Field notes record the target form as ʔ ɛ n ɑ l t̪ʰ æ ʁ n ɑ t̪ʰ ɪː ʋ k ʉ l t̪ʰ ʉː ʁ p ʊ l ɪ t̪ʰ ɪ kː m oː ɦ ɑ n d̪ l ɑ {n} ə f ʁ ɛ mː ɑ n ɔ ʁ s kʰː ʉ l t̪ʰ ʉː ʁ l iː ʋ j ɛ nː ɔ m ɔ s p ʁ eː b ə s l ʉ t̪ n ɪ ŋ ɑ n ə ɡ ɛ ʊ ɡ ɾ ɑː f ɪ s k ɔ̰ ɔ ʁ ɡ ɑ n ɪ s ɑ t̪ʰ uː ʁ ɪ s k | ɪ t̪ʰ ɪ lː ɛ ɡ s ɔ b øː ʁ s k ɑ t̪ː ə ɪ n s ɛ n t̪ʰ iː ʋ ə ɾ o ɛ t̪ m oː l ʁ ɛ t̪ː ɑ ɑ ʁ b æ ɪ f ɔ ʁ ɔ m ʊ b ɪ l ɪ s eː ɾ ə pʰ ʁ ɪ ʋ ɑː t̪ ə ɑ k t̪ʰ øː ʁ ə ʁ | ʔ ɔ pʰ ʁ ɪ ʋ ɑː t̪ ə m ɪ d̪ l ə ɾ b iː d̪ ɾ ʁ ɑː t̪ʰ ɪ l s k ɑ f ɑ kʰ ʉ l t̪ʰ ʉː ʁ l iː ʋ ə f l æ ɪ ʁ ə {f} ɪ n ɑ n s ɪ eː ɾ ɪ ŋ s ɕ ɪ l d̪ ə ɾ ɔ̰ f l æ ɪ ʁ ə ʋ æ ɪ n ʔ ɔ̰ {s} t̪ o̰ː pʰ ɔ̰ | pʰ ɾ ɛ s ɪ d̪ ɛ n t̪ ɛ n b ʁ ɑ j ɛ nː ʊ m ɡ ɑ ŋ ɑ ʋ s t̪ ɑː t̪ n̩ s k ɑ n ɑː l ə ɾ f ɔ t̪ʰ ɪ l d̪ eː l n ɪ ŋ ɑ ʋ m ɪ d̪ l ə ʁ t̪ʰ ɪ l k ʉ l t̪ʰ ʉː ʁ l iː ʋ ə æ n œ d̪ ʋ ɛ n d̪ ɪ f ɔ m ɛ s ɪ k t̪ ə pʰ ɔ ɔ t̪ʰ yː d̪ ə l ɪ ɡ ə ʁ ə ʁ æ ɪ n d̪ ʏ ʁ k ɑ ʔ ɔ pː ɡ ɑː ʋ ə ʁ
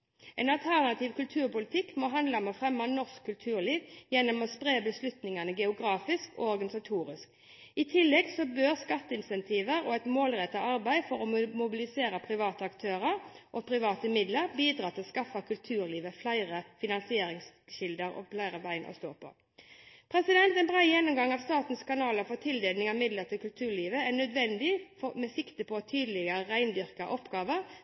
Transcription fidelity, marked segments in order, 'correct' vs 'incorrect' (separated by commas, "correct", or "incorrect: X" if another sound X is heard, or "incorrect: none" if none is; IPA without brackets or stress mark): incorrect: m, correct, correct